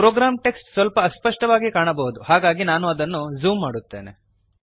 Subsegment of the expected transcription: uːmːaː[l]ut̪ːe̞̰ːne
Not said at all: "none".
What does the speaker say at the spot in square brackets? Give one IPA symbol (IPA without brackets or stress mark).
ɽ